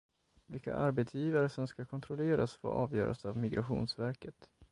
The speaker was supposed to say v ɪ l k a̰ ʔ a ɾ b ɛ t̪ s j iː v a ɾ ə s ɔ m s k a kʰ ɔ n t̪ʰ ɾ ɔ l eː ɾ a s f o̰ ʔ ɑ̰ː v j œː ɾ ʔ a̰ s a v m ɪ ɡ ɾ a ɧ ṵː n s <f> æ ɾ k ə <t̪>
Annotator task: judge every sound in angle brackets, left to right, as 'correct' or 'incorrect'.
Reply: incorrect, correct

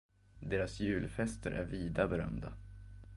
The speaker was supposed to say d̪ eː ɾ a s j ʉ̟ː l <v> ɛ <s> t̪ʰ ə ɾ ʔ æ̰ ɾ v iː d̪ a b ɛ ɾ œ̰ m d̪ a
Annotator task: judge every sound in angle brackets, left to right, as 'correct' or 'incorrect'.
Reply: incorrect, correct

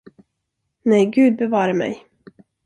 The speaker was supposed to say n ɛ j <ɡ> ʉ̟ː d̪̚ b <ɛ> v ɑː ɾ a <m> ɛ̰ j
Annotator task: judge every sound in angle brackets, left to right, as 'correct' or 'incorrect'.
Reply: correct, correct, correct

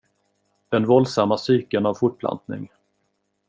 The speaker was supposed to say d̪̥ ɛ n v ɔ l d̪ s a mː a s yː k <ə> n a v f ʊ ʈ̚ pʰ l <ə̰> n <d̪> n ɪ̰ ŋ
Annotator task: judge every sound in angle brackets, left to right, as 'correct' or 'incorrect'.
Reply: correct, incorrect, incorrect

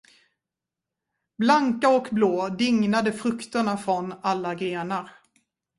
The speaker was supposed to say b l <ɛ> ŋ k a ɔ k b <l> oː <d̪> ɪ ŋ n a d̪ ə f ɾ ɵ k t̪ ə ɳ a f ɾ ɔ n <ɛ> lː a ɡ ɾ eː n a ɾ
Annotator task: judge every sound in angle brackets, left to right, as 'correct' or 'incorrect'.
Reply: incorrect, correct, correct, incorrect

